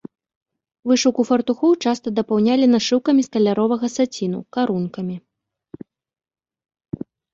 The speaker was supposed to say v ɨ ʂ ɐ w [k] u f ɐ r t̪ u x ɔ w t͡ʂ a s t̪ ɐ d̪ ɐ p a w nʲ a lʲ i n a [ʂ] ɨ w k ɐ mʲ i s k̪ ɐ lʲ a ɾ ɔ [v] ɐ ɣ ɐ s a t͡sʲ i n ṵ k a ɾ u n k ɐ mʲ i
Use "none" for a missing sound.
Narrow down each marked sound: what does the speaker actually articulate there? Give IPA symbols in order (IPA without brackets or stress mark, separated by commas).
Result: k, ʂ, v